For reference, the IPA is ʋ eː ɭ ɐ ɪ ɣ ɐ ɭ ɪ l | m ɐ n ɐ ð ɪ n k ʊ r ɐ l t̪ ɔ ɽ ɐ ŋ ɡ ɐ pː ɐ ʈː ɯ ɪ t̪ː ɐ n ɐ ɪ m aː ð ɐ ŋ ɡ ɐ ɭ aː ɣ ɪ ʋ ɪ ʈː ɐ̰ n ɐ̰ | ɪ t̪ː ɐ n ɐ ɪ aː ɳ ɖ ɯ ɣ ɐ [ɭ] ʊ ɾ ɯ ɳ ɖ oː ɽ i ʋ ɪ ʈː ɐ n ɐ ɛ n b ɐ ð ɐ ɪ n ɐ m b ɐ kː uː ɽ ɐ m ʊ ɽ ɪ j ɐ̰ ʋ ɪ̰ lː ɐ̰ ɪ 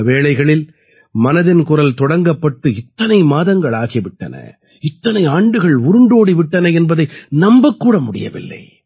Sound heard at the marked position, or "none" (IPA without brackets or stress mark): ɭ